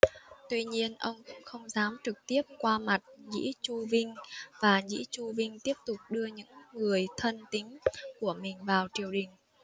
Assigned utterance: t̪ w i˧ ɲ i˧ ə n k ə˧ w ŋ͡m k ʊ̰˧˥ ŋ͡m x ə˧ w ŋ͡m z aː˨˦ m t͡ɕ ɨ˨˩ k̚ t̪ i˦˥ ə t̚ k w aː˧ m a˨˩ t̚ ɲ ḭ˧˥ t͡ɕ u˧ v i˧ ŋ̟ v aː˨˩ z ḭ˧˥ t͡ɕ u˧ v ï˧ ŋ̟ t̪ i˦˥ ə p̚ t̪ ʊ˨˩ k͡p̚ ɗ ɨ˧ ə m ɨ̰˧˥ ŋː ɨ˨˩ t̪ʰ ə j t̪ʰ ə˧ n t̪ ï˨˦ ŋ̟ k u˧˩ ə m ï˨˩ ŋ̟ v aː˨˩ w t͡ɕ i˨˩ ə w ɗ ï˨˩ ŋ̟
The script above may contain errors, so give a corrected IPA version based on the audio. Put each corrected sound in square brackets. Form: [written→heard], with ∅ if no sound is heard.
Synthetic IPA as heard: t̪ w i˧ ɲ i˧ ə n [k→ʔ] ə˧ w ŋ͡m k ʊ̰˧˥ ŋ͡m x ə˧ w ŋ͡m z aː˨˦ m t͡ɕ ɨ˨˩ k̚ t̪ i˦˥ ə [t̚→p̚] k w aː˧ m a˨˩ t̚ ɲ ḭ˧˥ t͡ɕ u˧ v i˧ ŋ̟ v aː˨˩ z ḭ˧˥ t͡ɕ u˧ v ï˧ ŋ̟ t̪ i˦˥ ə p̚ t̪ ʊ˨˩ k͡p̚ ɗ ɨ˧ ə [m→ɲ] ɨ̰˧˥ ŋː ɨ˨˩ [t̪ʰ→∅] ə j t̪ʰ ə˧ n t̪ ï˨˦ ŋ̟ k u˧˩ ə m ï˨˩ ŋ̟ v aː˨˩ w t͡ɕ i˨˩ ə w ɗ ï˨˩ ŋ̟